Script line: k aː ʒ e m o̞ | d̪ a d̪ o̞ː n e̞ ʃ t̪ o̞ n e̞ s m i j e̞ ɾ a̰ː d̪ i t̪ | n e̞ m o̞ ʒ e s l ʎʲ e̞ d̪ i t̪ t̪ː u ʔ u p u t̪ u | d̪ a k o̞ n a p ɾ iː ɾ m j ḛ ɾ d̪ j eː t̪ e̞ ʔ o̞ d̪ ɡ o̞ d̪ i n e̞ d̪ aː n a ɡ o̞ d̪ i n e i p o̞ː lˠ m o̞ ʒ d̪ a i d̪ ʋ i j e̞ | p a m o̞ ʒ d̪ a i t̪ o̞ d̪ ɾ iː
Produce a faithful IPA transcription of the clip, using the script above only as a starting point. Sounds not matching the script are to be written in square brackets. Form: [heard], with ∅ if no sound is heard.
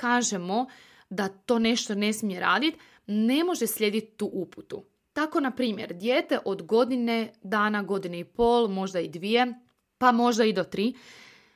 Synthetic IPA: k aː ʒ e m o̞ | d̪ a [t̪] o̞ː n e̞ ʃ t̪ o̞ n e̞ s m i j e̞ ɾ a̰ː d̪ i t̪ | n e̞ m o̞ ʒ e s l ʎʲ e̞ d̪ i t̪ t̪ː u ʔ u p u t̪ u | [t̪] a k o̞ n a p ɾ iː [∅] m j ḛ ɾ d̪ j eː t̪ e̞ ʔ o̞ d̪ ɡ o̞ d̪ i n e̞ d̪ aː n a ɡ o̞ d̪ i n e i p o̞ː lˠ m o̞ ʒ d̪ a i d̪ ʋ i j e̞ | p a m o̞ ʒ d̪ a i [d̪] o̞ [t̪] ɾ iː